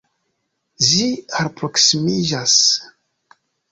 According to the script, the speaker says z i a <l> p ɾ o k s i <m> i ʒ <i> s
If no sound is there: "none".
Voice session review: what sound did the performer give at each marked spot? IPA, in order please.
ɾ, m, a

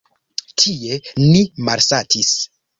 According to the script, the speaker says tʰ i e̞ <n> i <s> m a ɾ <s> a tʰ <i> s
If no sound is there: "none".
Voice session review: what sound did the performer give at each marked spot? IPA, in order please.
n, none, s, i

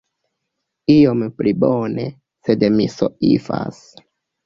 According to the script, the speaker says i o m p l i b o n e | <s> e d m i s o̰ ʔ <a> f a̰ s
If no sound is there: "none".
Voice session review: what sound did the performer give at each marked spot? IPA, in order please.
s, i

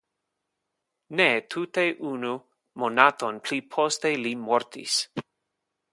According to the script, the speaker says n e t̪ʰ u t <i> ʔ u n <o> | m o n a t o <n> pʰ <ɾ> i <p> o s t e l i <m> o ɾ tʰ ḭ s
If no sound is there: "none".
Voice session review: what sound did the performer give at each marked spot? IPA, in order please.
e, u, n, l, pʰ, m

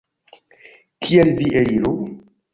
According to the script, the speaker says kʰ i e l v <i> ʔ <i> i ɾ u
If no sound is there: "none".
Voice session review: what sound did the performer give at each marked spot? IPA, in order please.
i, e

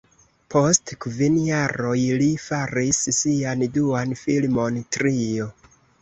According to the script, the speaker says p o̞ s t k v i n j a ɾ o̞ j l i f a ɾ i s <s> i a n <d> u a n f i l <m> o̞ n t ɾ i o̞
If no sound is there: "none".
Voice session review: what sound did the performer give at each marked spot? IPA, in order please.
s, d, m

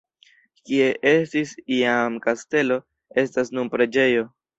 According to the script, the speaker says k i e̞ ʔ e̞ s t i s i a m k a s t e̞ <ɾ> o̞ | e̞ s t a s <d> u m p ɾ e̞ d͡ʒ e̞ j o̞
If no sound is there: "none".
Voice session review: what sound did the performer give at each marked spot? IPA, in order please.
l, n

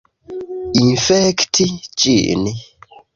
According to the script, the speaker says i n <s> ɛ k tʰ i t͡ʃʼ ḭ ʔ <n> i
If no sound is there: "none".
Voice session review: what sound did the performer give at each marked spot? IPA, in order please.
f, n

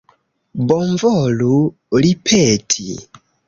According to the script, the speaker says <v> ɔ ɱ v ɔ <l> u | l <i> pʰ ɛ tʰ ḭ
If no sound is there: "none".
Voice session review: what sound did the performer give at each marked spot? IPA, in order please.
b, l, i

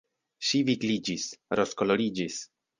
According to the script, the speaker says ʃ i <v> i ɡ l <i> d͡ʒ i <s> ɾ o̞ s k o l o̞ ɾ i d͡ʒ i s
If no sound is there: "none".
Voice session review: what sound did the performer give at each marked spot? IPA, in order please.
v, i, s

